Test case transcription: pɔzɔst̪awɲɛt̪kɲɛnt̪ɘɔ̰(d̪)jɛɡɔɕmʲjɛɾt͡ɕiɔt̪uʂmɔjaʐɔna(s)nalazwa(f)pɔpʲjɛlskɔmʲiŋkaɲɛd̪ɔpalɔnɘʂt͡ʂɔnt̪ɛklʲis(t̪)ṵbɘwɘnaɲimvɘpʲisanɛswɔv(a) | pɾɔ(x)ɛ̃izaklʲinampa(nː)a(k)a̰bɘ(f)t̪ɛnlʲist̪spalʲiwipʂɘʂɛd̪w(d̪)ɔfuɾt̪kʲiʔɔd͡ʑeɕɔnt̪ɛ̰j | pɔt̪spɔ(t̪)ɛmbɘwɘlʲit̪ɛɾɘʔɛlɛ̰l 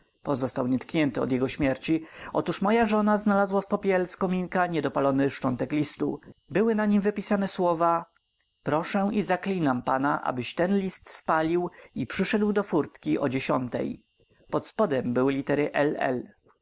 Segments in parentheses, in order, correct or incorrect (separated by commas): correct, incorrect, correct, correct, correct, incorrect, incorrect, incorrect, incorrect, correct, incorrect